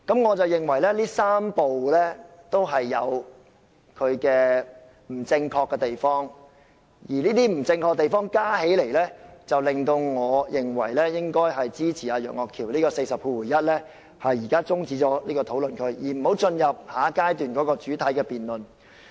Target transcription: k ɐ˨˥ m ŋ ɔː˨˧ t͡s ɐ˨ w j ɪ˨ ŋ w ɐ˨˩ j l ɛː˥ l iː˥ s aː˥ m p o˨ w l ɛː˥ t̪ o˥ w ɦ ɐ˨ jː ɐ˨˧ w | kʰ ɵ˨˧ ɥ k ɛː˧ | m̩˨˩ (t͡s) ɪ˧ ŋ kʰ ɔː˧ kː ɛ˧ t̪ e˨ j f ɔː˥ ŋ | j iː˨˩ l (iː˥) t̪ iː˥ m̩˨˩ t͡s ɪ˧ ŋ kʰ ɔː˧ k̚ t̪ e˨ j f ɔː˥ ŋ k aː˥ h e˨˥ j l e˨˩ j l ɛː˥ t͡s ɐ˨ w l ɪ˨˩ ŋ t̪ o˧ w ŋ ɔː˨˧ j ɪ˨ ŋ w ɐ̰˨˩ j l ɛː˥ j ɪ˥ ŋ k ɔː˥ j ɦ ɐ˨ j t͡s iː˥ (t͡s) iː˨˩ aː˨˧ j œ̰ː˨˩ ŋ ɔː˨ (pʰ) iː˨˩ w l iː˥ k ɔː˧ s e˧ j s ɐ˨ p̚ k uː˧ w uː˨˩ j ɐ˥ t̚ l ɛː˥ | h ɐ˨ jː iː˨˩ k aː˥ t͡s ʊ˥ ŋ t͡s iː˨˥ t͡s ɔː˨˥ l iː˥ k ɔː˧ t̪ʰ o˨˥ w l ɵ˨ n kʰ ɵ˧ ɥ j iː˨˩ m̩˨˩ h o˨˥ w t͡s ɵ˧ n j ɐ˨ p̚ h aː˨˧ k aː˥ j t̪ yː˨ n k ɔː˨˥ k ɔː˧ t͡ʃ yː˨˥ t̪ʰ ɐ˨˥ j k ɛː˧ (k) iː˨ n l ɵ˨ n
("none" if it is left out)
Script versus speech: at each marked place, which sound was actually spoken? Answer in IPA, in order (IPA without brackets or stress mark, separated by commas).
t͡s, iː˥, t͡sʰ, kʰ, p